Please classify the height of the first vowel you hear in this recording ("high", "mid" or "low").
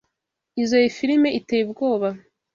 high